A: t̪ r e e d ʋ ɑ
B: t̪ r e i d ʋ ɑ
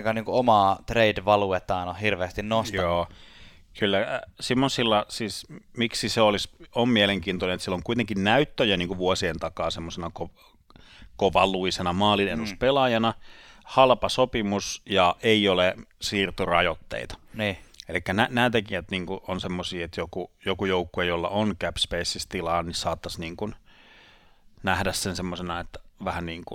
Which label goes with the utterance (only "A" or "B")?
B